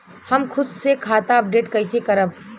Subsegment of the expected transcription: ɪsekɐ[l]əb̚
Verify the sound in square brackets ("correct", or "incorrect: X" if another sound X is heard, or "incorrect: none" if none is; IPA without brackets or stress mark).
incorrect: ɾ